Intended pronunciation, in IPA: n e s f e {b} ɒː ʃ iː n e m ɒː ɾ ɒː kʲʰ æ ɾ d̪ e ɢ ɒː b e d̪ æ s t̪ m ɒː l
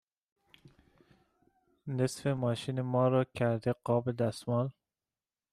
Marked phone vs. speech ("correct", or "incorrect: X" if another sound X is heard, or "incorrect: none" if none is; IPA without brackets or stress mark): incorrect: m